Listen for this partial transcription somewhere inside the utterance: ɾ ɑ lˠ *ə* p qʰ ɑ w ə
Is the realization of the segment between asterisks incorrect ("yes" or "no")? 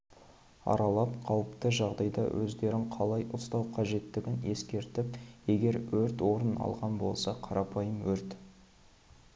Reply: yes